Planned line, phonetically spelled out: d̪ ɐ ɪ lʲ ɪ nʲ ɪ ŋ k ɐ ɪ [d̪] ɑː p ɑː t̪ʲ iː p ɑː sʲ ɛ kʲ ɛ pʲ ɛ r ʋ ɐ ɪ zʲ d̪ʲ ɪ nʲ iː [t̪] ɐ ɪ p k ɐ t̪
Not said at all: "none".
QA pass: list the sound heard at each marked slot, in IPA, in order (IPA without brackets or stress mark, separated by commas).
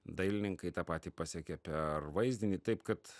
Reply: t̪, t̪